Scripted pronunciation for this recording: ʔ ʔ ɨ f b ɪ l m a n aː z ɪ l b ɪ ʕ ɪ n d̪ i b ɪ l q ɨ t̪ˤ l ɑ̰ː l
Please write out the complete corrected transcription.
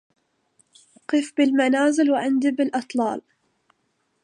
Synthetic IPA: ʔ q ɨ f b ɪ l m a n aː z ɪ l w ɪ ʕ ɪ n d̪ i b ɪ l ʔ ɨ t̪ˤ l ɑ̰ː l